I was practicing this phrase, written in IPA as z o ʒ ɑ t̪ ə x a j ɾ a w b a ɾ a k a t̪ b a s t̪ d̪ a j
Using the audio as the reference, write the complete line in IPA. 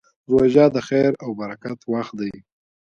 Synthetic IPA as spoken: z o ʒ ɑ d̪ ə x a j ɾ a w b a ɾ a k a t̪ w a x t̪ d̪ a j